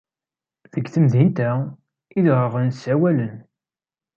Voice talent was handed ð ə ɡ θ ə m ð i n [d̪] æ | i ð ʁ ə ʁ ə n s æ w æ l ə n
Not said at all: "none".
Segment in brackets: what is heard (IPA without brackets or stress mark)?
t̪